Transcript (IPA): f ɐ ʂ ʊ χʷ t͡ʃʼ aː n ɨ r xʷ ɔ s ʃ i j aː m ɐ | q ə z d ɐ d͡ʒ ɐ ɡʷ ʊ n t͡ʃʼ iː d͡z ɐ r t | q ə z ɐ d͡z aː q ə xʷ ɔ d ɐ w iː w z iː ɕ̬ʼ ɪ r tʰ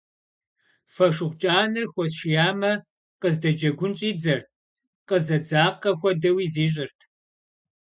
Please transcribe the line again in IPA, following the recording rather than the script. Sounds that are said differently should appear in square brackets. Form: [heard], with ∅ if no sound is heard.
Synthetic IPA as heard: f ɐ ʂ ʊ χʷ t͡ʃʼ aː n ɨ r xʷ ɔ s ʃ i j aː m ɐ | q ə z d ɐ d͡ʒ ɐ ɡʷ ʊ n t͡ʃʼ iː d͡z ɐ r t | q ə z ɐ d͡z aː q [ɐ] xʷ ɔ d ɐ w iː [∅] z iː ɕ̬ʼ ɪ r tʰ